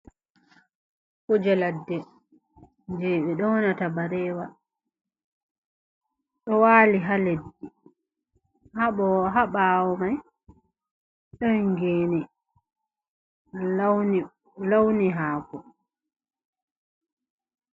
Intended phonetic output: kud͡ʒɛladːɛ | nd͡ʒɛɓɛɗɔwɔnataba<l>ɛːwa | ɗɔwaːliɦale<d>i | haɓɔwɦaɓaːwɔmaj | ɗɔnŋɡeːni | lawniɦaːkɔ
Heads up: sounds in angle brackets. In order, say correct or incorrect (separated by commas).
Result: incorrect, incorrect